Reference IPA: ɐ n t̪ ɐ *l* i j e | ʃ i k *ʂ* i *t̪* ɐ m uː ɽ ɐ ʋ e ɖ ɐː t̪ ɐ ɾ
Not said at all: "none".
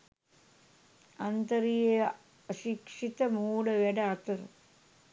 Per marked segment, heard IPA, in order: ɾ, ʂ, t̪

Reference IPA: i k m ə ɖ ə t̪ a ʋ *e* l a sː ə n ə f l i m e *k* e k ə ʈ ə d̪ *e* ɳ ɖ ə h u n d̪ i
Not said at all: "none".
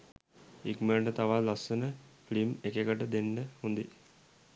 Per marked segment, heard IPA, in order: a, k, e

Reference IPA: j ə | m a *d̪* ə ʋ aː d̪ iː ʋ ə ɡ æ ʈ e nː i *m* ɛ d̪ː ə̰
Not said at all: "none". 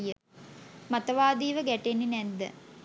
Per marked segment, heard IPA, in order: t̪, n

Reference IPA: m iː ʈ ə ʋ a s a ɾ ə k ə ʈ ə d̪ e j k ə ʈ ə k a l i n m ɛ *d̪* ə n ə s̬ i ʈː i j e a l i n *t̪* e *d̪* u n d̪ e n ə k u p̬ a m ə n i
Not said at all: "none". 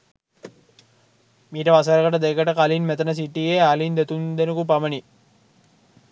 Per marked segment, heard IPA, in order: t̪, d̪, t̪

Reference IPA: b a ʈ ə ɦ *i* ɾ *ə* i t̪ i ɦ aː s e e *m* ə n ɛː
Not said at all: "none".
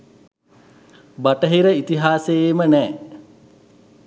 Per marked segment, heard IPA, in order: i, ə, m

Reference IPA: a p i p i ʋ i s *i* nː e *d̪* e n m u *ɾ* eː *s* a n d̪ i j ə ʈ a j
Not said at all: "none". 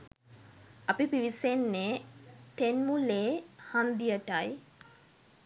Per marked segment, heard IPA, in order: e, t̪, l, h

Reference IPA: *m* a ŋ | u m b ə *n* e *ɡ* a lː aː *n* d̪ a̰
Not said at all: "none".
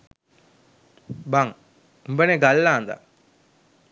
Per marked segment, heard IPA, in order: b, n, ɡ, n

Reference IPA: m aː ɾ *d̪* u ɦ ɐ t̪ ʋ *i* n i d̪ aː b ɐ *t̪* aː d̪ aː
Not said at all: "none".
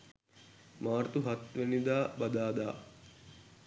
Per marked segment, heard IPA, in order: t̪, e, d̪

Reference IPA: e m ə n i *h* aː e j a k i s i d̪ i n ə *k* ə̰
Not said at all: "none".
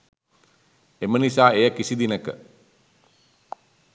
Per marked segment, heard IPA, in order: s, k

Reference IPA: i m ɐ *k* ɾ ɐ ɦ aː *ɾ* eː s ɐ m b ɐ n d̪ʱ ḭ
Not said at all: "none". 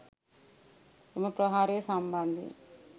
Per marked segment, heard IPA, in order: p, ɾ

